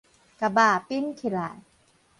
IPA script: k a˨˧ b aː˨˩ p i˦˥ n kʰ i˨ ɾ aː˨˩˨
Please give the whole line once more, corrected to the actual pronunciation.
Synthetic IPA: k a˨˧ b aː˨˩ p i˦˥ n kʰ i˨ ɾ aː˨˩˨